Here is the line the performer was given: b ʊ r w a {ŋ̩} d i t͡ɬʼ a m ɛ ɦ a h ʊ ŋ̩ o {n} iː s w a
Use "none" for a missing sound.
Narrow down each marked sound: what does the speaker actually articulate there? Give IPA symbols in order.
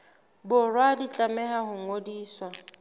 none, d

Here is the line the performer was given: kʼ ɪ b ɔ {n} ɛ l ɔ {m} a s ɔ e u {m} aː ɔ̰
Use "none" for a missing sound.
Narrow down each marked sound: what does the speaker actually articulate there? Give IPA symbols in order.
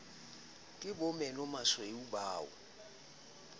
m, m, b

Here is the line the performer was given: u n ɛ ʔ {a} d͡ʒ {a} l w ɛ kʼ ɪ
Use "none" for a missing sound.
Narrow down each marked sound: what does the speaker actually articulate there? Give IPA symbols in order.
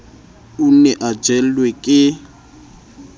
a, ɛ

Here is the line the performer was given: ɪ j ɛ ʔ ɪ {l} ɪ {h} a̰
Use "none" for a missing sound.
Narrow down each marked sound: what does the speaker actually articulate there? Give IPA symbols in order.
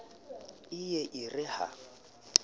r, h

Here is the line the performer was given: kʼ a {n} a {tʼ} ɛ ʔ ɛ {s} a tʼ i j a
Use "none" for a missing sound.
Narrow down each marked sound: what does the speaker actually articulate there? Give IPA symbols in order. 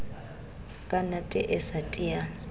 n, tʼ, s

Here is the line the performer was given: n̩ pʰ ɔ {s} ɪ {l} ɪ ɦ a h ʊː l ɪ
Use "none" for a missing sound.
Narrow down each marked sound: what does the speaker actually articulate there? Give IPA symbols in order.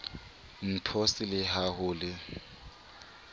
s, l

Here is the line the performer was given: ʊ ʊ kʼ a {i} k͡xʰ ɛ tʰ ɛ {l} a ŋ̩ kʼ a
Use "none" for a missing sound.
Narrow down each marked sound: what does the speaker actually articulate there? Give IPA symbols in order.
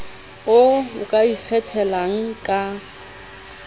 i, l

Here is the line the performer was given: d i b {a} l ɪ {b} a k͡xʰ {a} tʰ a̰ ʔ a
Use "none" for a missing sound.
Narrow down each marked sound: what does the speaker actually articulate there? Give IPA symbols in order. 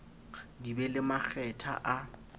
ɛ, m, ɛ

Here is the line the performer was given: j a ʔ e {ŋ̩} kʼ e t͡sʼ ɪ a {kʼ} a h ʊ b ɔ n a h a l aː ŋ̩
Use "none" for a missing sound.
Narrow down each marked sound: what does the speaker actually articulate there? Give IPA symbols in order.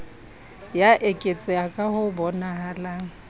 none, kʼ

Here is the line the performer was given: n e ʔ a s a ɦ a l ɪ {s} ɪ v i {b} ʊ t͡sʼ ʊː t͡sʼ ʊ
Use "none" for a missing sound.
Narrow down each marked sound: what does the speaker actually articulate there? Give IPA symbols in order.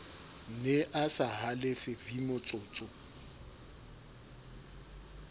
f, m

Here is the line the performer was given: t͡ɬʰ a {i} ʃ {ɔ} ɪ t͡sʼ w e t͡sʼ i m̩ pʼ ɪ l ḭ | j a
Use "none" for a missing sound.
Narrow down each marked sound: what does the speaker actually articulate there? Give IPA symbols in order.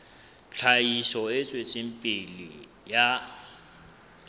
i, ɔ

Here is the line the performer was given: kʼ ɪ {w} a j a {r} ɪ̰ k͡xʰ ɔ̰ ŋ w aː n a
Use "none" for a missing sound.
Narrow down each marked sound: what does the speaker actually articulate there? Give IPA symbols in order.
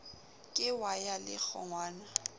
w, l

